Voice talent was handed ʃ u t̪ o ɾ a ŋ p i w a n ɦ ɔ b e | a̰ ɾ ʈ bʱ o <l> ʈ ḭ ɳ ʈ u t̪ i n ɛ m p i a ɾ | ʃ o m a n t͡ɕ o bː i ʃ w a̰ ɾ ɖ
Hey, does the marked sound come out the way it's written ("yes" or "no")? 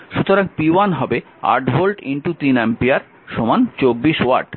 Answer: yes